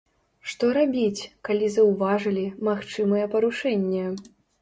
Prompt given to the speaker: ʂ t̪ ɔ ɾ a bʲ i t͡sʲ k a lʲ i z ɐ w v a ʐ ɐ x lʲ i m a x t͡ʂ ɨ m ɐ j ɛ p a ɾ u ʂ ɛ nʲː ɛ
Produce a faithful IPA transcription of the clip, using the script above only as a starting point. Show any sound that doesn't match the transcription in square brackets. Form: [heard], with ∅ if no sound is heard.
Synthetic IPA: ʂ t̪ ɔ ɾ a bʲ i t͡sʲ k a lʲ i z ɐ w v a ʐ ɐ [∅] lʲ i m a x t͡ʂ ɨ m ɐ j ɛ p [ɐ] ɾ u ʂ ɛ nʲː ɛ